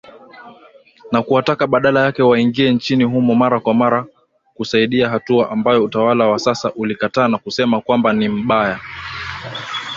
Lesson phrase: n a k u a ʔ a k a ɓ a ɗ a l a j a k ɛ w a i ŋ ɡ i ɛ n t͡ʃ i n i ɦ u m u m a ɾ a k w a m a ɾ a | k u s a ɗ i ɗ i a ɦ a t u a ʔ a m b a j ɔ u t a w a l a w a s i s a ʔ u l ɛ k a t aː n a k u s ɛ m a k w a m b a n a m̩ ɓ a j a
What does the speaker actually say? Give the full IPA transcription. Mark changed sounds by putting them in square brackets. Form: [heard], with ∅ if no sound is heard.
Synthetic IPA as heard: n a k u a [t] a k a ɓ a ɗ a l a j a k ɛ w a i ŋ ɡ i ɛ n t͡ʃ i n i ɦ u m [ɔ] m a ɾ a k w a m a ɾ a | k u s a [∅] i ɗ i a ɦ a t u a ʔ a m b a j ɔ u t a w a l a w a s [a] s a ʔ u l [i] k a t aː n a k u s ɛ m a k w a m b a n [i] m̩ ɓ a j a